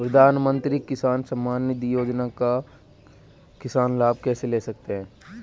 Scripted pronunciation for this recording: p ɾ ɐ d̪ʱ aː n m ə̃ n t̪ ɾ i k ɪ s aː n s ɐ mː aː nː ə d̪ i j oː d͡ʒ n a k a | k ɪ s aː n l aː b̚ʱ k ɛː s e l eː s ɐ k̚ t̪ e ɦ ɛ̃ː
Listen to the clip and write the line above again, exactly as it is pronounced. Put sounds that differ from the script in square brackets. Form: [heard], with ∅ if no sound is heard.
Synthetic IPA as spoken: p ɾ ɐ d̪ʱ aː n m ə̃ n t̪ ɾ i k ɪ s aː n s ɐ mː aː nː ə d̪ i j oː d͡ʒ n a k a | k ɪ s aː n l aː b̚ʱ k ɛː s e l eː s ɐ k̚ t̪ e ɦ ɛ̃ː